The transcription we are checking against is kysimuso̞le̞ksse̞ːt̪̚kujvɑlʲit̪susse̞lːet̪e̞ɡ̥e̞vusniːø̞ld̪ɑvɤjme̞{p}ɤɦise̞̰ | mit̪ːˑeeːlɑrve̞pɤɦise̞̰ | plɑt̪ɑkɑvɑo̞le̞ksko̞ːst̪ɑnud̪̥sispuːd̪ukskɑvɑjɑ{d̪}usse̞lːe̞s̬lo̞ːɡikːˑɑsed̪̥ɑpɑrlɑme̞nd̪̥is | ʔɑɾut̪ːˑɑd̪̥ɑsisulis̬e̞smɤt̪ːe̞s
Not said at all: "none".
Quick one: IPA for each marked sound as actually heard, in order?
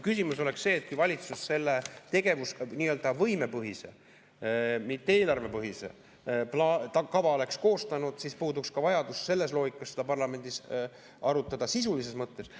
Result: p, d̪

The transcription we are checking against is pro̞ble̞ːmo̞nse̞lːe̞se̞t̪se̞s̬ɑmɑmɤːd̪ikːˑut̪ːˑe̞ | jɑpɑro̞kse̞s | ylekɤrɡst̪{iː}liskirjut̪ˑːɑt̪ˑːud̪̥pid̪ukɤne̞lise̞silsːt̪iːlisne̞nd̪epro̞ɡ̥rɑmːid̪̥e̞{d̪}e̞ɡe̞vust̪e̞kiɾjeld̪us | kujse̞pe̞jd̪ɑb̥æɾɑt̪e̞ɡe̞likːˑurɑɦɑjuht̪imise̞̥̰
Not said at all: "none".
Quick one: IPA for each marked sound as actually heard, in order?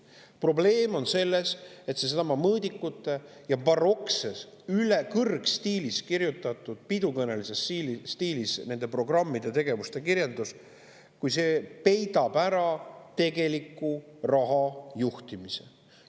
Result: iː, t̪

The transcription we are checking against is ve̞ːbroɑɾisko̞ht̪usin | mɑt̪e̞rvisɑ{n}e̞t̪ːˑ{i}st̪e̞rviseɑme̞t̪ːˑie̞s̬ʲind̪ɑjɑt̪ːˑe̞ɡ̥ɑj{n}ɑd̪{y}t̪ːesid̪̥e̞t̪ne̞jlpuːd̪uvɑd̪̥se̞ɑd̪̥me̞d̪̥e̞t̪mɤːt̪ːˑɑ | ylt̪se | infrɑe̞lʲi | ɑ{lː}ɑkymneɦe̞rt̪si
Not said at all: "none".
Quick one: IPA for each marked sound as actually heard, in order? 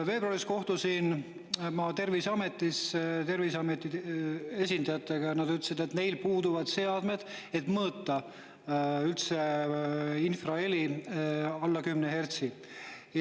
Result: m, i, n, y, lː

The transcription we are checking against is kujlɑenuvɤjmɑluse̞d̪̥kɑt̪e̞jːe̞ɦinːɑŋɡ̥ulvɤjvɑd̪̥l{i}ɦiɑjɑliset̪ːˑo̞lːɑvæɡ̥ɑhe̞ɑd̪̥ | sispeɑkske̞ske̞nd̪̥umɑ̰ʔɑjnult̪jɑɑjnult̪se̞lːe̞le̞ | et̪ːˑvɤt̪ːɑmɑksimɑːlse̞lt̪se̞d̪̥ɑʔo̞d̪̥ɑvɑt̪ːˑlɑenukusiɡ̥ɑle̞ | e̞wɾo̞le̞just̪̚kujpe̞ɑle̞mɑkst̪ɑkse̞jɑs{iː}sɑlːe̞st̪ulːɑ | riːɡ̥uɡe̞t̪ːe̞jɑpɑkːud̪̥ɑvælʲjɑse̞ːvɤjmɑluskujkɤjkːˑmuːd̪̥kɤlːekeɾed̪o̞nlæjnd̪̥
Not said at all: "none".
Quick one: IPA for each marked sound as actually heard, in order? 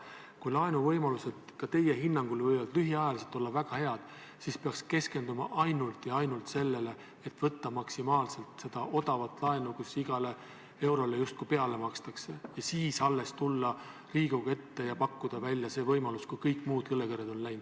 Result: y, iː

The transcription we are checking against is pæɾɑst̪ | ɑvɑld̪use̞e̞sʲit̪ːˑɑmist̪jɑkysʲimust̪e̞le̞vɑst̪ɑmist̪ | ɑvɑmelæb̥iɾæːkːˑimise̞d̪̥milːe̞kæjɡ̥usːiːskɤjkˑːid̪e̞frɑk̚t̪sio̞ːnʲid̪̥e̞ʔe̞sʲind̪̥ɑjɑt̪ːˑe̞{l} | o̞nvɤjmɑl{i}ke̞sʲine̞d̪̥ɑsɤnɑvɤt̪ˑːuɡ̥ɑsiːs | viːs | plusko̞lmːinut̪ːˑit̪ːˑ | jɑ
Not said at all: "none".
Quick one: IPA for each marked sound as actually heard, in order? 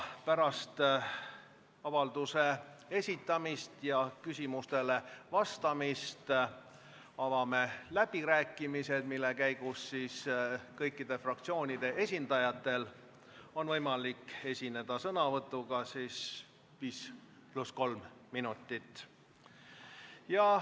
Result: l, i

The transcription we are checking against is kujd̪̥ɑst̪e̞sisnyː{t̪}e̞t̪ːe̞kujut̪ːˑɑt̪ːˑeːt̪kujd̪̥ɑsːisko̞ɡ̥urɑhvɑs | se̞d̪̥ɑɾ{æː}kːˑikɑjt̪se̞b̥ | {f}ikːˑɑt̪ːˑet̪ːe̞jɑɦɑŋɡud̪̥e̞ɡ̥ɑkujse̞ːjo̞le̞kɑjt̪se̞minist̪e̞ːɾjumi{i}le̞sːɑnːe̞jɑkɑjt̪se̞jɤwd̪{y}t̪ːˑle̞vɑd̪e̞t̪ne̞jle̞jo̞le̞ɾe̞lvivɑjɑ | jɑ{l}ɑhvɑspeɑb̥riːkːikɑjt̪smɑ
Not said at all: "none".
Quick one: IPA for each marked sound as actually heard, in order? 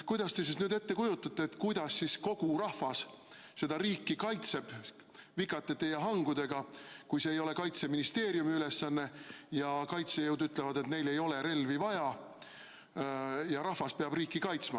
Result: d̪, iː, v, y, y, ɾ

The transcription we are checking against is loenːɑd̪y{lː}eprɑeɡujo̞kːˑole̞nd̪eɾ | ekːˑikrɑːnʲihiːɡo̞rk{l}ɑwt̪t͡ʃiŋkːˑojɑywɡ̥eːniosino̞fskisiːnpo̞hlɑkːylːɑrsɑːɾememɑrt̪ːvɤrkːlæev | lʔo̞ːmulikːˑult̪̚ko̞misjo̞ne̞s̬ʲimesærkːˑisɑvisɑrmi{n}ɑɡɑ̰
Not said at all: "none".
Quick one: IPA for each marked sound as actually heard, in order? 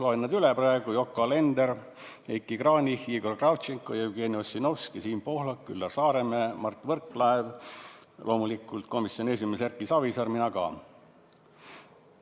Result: l, r, n

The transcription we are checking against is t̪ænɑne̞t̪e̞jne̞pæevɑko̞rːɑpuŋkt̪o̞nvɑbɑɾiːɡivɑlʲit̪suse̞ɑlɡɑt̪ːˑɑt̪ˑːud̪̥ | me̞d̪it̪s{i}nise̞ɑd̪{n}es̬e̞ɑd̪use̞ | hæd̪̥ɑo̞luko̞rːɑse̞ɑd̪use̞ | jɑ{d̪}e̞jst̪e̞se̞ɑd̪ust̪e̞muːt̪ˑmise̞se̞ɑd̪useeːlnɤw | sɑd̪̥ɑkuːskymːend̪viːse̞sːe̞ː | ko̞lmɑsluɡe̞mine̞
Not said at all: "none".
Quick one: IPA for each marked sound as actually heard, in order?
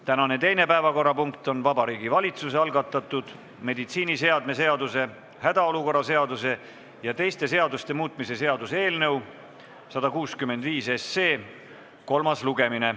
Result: iː, m, t̪

